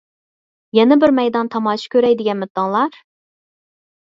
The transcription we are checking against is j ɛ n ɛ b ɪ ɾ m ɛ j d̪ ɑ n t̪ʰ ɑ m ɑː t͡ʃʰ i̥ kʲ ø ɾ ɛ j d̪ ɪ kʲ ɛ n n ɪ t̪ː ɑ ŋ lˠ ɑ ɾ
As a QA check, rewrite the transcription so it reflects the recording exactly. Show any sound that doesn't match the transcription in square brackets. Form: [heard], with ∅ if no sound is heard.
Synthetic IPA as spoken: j ɛ n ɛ b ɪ ɾ m ɛ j d̪ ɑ n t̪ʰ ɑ m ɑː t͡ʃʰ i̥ kʲ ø ɾ ɛ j d̪ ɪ [ɡʲ] ɛ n [m] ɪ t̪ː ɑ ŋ lˠ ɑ ɾ